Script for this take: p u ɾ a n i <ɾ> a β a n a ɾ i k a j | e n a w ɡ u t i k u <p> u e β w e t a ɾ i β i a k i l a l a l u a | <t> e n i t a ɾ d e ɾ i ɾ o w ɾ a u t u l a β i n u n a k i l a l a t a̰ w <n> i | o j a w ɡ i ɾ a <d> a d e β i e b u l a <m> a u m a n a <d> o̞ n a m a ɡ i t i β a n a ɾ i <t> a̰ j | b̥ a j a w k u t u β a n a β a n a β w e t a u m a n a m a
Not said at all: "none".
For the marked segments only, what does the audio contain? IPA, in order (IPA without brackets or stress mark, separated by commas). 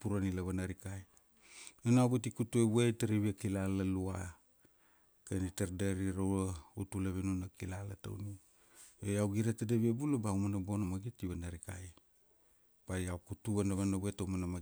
l, t, k, n, t, b, b, k